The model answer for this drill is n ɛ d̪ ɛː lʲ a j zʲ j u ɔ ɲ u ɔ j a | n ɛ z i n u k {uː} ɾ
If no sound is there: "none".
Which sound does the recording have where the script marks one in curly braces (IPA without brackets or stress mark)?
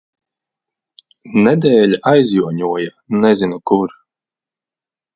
u